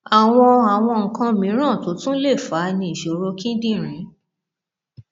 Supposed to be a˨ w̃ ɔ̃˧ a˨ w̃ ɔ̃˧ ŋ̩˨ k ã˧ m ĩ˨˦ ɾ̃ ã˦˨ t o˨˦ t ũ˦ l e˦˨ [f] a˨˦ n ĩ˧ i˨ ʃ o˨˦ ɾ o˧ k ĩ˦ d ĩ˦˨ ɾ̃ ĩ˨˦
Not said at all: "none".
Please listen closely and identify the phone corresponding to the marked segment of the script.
f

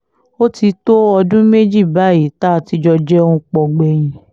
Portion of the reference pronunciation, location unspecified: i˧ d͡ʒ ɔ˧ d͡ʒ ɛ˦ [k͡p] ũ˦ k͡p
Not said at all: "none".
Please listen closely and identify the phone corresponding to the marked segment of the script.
none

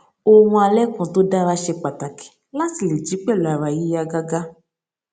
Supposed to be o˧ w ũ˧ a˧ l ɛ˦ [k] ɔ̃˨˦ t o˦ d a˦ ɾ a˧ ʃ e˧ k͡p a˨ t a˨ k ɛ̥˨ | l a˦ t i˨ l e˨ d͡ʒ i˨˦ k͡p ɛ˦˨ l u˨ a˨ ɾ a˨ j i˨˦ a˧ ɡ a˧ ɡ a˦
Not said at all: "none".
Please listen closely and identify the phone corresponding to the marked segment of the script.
k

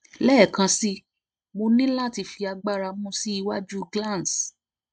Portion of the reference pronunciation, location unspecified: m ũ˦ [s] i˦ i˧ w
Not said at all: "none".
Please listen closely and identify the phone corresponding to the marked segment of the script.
s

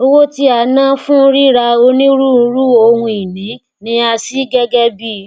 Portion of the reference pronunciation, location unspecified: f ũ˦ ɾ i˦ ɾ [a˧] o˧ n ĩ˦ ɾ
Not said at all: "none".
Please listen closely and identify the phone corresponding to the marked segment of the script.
a˧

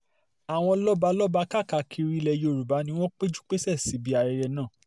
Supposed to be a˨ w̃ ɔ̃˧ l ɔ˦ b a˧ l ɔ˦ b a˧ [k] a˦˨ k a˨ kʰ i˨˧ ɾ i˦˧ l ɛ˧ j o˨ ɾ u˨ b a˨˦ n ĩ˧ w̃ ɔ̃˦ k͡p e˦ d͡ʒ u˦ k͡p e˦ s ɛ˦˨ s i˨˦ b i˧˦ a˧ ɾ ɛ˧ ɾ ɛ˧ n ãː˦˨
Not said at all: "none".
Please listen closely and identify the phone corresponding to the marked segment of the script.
k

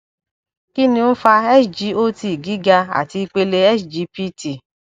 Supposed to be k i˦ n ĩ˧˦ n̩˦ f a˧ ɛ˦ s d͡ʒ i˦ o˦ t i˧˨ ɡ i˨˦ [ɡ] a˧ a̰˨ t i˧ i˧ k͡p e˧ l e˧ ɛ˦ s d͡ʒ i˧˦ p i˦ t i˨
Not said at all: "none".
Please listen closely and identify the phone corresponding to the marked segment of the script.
ɡ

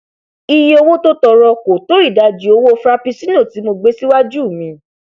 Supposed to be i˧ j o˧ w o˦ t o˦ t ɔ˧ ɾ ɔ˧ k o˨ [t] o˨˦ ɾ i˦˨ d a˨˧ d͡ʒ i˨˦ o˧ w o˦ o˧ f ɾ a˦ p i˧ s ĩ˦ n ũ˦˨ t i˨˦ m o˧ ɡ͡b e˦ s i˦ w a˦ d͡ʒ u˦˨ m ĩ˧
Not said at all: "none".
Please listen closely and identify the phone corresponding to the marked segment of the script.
t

